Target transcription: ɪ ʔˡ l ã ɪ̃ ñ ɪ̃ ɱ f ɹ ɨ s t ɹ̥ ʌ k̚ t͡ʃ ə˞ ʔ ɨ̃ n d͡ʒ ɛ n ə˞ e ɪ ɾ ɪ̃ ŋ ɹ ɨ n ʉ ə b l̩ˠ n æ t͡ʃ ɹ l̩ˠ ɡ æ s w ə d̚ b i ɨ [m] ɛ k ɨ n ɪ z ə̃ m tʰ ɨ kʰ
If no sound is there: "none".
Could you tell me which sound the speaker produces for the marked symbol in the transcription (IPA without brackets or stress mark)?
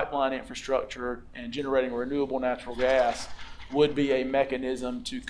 m